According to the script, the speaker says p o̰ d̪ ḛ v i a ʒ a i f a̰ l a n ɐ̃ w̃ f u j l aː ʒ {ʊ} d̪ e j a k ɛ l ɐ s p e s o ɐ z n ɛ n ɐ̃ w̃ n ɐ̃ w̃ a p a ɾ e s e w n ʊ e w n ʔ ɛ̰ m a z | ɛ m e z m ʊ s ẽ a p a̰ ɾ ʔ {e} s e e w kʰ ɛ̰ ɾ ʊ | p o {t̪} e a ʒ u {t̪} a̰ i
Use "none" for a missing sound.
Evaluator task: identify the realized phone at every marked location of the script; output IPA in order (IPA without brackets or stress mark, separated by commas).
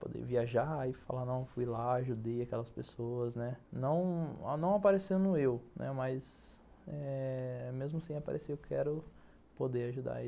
u, e, d̪, d̪